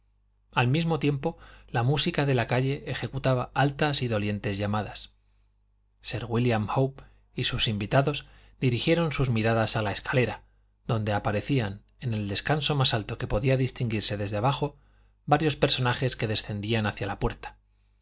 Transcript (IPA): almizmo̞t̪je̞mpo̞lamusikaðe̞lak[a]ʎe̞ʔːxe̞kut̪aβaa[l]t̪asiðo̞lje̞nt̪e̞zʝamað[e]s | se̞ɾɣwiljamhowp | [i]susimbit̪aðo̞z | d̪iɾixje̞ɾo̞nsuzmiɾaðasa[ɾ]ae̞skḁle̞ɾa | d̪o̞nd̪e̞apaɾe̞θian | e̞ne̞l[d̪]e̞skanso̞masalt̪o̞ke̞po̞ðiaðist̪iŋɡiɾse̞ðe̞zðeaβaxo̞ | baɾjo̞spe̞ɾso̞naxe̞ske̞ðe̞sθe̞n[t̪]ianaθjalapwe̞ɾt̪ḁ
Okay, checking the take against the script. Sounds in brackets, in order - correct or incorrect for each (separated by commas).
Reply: correct, correct, incorrect, correct, incorrect, correct, incorrect